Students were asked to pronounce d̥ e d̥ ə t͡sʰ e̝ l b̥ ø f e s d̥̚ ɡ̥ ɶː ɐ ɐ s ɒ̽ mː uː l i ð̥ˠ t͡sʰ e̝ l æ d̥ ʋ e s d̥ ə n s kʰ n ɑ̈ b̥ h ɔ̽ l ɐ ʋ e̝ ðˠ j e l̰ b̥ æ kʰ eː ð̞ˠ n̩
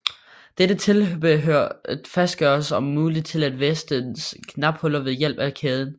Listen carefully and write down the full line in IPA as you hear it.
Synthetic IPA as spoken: d̥ e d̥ ə t͡sʰ e̝ l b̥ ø f æ s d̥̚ ɡ̥ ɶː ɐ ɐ s ɒ̽ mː uː l i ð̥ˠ t͡sʰ e̝ l æ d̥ ʋ e s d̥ ə n s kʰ n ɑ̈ b̥ h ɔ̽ l ɐ ʋ e̝ ðˠ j e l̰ b̥ æ kʰ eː ð̞ˠ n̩